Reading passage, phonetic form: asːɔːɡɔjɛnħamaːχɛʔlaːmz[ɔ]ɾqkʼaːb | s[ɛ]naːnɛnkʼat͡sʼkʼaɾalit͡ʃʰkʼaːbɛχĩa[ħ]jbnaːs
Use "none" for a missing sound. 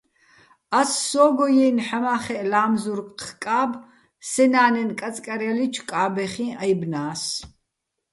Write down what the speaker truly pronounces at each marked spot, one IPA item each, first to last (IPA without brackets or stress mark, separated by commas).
u, ɛ, none